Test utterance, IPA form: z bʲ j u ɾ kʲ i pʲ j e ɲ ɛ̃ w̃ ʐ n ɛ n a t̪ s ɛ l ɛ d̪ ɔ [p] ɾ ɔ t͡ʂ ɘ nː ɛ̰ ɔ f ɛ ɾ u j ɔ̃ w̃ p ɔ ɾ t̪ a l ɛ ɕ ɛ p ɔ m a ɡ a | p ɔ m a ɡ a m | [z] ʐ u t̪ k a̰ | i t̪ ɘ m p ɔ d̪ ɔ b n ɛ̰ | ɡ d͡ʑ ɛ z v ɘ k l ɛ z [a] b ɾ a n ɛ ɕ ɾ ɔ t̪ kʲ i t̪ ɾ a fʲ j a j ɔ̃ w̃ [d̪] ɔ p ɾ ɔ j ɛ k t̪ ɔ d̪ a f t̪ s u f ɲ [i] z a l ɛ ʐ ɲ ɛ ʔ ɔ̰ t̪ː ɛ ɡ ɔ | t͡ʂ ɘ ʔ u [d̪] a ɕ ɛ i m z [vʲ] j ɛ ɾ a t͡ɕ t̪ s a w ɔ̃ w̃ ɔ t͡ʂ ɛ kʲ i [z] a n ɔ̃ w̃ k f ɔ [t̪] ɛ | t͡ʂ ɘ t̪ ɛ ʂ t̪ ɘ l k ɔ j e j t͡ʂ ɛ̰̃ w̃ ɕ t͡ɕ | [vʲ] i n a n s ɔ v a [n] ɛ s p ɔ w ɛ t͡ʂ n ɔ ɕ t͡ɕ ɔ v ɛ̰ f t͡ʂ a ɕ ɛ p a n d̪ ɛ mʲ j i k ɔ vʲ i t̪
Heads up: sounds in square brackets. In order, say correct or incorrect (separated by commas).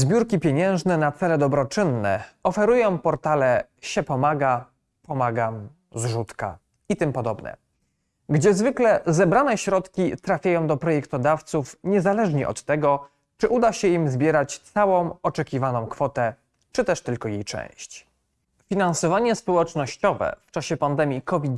incorrect, correct, incorrect, correct, incorrect, correct, incorrect, incorrect, correct, incorrect, incorrect